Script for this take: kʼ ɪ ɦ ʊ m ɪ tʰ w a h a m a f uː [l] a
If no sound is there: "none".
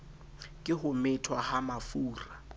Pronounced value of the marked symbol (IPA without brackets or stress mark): r